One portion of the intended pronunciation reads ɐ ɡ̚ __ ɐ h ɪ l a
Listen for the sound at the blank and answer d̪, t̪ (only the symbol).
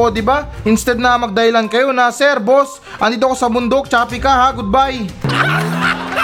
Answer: d̪